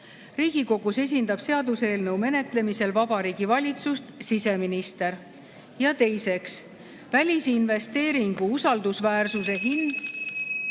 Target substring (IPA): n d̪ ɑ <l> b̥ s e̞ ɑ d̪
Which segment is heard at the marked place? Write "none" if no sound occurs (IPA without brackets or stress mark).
none